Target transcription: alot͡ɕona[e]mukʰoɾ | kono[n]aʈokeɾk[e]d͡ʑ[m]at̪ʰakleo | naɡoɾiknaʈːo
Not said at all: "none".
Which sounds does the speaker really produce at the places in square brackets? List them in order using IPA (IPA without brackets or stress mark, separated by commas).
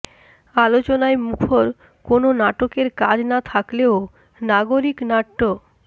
e, n, a, n